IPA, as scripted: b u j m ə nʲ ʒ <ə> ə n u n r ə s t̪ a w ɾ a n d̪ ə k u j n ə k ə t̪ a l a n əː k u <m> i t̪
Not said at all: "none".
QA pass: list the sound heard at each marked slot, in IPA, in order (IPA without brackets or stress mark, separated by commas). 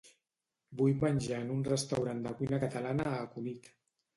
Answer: a, n